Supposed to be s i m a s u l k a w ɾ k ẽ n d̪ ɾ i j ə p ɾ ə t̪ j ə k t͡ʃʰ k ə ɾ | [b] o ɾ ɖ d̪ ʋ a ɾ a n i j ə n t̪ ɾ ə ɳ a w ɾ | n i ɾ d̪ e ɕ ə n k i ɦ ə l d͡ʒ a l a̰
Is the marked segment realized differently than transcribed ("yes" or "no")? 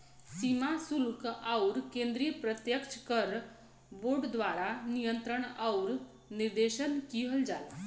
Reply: no